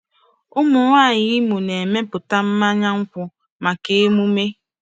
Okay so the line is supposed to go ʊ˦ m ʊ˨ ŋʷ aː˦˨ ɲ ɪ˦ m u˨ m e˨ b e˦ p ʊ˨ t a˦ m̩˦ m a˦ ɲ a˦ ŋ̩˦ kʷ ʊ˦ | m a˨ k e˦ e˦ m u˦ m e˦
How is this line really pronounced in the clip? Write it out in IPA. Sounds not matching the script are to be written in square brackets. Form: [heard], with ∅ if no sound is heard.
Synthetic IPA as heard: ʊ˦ m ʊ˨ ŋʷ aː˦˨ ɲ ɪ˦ m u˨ [n] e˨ [m] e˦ p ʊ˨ t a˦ m̩˦ m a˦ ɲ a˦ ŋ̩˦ kʷ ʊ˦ | m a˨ k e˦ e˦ m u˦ m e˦